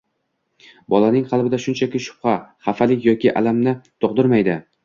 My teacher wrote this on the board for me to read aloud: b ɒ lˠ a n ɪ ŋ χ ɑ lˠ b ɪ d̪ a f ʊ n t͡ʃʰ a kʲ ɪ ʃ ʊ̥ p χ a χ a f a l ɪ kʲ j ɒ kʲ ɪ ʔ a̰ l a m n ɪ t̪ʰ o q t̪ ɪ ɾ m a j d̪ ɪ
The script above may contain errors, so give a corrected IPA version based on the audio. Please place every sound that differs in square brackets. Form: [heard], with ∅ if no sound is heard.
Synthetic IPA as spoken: b ɒ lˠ a n ɪ ŋ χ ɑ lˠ b ɪ d̪ a [ʃ] ʊ n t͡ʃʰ a kʲ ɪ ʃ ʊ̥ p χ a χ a f a l ɪ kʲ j ɒ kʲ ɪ ʔ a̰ l a m n ɪ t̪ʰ o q [d̪] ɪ ɾ m a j d̪ ɪ